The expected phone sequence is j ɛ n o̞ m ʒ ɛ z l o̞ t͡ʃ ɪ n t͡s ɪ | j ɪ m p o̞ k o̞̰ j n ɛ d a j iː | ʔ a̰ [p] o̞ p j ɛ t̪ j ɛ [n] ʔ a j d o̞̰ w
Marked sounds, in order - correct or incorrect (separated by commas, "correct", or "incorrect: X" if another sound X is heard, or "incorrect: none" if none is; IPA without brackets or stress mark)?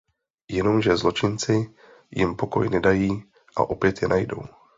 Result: incorrect: ʔ, correct